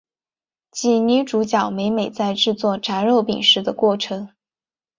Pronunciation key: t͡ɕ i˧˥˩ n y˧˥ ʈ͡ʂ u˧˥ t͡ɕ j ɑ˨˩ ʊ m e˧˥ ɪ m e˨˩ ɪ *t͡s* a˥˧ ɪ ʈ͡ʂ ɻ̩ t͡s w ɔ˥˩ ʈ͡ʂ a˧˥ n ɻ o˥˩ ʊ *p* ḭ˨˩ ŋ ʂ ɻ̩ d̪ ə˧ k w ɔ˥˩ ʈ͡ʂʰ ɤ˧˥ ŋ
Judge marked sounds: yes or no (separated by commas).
yes, yes